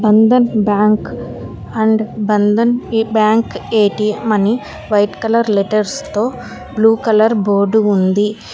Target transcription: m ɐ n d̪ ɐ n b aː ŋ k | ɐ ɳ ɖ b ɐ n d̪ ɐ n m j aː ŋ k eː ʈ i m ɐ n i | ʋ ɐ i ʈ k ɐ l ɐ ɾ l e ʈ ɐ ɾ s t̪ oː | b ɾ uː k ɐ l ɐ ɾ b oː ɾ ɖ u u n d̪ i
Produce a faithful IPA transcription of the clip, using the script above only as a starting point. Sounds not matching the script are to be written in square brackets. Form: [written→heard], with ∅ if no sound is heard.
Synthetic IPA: [m→b] ɐ n d̪ ɐ n b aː ŋ k | ɐ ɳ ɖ b ɐ n d̪ ɐ n [m→b] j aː ŋ k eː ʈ i m ɐ n i | ʋ ɐ [i→j] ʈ k ɐ l ɐ ɾ l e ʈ ɐ ɾ s t̪ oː | b [ɾ→l] uː k ɐ l ɐ ɾ b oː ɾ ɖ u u n d̪ i